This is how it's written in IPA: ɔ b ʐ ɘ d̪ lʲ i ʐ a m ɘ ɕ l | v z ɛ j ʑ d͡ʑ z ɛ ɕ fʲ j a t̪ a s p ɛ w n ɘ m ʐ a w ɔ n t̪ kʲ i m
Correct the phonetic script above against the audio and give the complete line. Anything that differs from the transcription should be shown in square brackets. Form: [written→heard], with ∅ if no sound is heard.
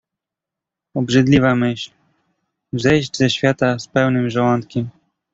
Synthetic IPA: ɔ b ʐ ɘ d̪ lʲ i [ʐ→v] a m ɘ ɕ l | v z ɛ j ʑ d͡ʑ z ɛ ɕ fʲ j a t̪ a s p ɛ w n ɘ m ʐ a w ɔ n t̪ kʲ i m